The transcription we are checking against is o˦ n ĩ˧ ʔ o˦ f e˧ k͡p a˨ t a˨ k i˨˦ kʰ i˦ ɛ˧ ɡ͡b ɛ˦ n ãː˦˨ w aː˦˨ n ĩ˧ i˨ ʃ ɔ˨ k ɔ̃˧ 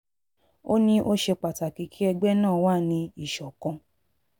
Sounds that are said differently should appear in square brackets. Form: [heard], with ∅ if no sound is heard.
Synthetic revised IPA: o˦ n ĩ˧ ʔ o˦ [ʃ] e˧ k͡p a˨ t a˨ k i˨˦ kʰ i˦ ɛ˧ ɡ͡b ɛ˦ n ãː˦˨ w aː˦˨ n ĩ˧ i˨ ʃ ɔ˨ k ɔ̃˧